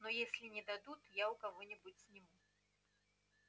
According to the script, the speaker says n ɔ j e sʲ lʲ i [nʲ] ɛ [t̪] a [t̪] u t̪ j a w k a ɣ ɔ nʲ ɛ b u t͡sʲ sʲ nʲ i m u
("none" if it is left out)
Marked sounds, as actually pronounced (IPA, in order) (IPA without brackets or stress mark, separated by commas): nʲ, d̪, d̪